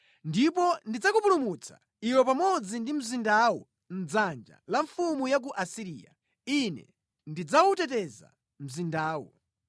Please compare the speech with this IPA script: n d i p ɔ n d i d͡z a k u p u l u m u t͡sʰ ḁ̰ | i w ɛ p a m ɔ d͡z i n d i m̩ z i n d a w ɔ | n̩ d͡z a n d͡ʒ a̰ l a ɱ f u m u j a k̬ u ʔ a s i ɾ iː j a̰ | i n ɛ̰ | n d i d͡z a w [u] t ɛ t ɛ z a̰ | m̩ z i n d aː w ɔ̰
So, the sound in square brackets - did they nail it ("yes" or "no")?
yes